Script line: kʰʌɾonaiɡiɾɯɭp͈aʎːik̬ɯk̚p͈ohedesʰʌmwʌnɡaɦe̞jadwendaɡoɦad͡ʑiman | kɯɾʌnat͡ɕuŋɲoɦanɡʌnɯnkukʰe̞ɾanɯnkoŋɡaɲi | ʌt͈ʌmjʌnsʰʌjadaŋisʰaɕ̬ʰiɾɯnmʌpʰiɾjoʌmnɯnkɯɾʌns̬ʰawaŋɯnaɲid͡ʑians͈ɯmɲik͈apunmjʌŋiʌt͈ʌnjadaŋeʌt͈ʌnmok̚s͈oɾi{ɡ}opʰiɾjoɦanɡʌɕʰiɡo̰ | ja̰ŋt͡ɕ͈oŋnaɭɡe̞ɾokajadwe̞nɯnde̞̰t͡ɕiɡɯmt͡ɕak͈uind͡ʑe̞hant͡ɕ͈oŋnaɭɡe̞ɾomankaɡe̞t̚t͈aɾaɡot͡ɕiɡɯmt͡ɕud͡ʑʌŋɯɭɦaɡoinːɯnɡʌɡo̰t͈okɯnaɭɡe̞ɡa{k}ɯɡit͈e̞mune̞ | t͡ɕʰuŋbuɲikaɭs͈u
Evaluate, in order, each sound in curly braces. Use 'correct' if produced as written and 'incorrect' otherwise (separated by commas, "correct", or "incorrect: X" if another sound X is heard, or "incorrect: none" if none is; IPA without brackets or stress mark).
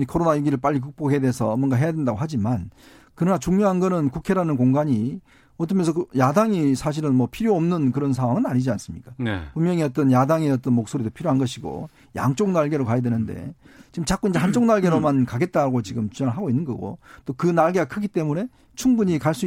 incorrect: d, incorrect: kʰ